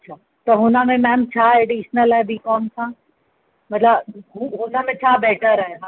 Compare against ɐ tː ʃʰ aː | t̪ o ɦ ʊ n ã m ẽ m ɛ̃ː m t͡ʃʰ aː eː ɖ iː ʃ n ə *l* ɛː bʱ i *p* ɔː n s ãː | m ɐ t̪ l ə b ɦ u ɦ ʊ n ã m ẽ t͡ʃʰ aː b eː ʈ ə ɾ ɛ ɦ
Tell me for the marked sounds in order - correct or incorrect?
correct, incorrect

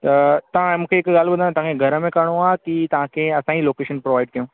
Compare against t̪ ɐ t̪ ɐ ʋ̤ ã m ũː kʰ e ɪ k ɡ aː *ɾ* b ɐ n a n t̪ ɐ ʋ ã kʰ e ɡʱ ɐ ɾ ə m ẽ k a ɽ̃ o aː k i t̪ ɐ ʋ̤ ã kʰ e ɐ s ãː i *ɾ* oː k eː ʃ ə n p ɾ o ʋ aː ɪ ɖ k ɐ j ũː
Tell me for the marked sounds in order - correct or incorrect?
incorrect, incorrect

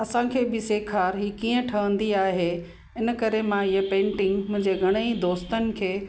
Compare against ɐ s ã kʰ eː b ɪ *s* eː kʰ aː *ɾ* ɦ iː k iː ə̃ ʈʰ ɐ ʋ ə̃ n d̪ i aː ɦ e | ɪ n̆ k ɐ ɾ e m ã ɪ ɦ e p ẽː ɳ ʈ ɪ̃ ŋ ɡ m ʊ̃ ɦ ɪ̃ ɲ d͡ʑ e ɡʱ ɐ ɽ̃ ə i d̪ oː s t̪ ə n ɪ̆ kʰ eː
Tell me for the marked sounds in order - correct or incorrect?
correct, correct

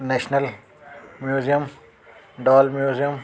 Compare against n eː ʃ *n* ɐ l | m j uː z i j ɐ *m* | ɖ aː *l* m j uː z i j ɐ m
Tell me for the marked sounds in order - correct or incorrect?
correct, correct, correct

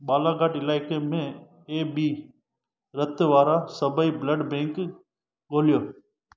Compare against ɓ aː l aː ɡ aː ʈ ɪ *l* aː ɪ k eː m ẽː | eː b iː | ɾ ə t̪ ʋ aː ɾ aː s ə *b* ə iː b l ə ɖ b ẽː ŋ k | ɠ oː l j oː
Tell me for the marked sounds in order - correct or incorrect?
correct, correct

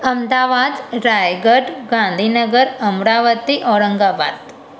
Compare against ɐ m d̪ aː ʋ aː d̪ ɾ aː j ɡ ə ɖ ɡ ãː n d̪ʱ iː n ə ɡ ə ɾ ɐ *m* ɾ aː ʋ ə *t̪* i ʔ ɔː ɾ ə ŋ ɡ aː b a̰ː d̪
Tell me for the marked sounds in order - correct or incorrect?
correct, correct

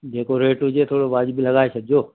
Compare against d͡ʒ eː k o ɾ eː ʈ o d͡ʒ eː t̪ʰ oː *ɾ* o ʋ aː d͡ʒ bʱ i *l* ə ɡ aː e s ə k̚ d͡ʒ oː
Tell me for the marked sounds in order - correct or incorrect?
incorrect, correct

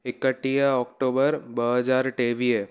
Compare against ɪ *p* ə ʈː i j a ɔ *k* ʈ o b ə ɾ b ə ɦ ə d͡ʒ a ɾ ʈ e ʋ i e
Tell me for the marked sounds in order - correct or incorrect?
incorrect, correct

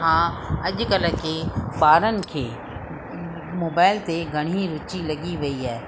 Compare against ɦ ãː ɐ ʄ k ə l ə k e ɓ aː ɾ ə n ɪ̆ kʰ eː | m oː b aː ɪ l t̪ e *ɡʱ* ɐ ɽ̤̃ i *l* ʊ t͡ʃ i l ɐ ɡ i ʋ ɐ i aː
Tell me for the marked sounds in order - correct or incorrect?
correct, incorrect

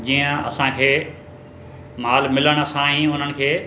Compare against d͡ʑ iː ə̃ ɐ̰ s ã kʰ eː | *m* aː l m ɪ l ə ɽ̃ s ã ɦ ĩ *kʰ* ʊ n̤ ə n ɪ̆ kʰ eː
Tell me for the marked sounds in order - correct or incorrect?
correct, incorrect

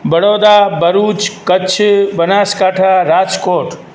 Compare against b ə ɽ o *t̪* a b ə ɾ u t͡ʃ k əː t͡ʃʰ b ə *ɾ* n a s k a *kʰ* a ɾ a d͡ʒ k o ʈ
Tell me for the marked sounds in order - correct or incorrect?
incorrect, incorrect, incorrect

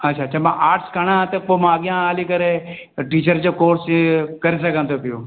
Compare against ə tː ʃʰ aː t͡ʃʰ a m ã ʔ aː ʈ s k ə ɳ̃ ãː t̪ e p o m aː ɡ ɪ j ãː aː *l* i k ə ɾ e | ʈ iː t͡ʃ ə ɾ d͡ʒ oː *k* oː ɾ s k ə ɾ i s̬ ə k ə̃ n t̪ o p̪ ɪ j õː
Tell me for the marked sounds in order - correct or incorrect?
correct, correct

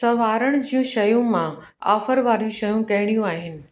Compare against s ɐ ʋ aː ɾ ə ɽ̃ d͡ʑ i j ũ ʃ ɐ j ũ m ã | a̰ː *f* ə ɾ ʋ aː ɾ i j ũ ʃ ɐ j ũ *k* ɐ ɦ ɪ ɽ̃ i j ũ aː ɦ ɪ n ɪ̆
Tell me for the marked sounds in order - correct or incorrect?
correct, correct

